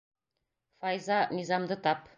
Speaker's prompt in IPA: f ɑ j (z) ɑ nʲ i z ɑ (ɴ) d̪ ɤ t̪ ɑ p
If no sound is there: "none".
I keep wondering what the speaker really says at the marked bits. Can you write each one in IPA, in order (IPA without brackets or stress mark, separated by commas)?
z, m